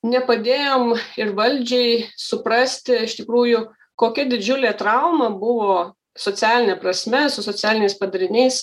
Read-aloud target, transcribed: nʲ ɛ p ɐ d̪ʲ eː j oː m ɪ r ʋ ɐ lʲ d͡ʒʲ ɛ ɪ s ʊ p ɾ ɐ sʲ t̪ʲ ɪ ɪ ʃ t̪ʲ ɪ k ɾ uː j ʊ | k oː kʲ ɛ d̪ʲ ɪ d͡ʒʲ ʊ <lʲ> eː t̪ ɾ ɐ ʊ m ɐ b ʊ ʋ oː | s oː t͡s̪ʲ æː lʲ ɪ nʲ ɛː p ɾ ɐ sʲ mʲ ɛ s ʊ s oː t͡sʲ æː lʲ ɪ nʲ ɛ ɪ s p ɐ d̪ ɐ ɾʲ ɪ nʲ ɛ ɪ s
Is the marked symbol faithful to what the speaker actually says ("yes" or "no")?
yes